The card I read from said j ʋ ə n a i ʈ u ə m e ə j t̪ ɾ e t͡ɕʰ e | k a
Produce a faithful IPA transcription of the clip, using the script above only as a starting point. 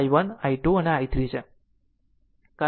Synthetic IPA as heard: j ʋ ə n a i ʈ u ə n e a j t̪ ɾ i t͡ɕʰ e | k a